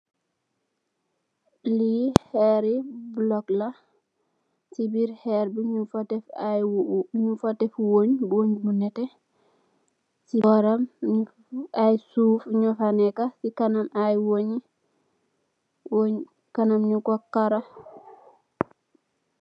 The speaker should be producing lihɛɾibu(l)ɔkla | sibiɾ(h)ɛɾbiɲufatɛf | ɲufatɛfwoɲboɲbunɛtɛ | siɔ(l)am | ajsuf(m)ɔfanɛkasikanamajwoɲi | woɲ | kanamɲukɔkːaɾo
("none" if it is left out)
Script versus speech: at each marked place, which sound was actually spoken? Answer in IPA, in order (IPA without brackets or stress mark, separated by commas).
l, h, ɾ, ɲ